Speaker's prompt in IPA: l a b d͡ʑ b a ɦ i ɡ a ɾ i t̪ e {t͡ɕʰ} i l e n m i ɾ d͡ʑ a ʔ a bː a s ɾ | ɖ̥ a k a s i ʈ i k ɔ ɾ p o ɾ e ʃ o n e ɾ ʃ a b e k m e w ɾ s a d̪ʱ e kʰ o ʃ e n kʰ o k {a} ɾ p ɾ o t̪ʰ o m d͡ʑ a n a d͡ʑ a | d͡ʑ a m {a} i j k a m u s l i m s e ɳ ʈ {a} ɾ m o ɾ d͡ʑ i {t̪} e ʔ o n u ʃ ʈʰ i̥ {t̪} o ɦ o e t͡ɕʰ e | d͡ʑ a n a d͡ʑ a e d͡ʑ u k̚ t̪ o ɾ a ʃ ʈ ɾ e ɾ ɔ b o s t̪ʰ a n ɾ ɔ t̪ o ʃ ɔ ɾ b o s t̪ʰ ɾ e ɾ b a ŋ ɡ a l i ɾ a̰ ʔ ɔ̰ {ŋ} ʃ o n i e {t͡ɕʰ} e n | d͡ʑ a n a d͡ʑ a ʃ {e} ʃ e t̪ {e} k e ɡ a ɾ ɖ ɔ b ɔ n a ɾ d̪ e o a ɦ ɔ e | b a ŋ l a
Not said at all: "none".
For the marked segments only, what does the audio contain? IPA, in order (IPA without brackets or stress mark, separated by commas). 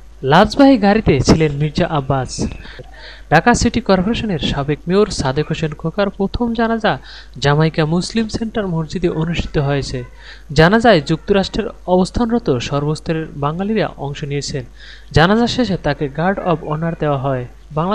t͡ɕʰ, a, a, a, d̪, t̪, ŋ, t͡ɕʰ, e, a